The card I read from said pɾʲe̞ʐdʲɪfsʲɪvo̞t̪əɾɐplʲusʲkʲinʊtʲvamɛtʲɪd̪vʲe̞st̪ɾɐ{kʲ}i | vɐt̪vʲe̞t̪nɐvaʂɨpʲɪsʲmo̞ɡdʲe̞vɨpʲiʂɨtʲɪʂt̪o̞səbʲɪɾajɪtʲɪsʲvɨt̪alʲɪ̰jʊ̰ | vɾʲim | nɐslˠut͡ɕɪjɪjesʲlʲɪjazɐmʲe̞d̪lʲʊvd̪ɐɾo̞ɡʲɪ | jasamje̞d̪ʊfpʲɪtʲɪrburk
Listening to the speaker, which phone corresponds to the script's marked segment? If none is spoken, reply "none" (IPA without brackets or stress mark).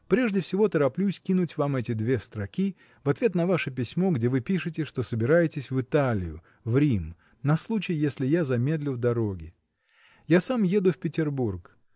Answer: kʲ